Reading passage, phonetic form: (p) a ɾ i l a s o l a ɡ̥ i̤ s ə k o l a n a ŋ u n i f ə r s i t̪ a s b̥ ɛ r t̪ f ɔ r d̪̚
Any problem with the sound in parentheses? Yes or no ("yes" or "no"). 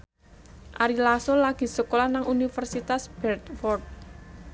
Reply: yes